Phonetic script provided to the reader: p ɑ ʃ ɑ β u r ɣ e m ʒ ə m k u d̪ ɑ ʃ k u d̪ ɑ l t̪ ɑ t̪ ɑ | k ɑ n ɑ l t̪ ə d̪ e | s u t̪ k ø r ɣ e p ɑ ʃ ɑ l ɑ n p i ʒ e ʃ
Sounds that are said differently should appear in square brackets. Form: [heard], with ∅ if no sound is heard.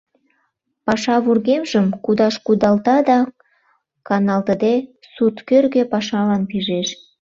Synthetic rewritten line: p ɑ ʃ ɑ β u r ɣ e m ʒ ə m k u d̪ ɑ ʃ k u d̪ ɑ l t̪ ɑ [d̪] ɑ | k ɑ n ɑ l t̪ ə d̪ e | s u t̪ k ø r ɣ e p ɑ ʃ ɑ l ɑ n p i ʒ e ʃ